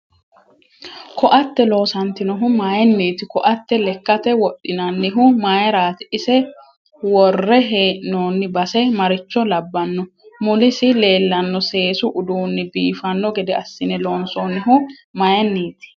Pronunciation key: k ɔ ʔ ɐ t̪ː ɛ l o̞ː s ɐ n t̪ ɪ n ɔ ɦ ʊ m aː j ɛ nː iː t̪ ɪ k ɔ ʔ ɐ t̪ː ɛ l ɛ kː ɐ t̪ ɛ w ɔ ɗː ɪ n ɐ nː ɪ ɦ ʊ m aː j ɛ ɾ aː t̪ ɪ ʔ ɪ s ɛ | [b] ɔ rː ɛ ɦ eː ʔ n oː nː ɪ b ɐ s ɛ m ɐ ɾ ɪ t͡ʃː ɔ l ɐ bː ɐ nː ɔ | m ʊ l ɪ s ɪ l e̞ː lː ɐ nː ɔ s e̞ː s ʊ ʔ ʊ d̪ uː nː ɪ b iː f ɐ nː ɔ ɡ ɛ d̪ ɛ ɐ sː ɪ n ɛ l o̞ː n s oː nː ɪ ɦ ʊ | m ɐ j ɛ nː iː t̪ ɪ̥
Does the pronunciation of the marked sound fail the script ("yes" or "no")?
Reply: yes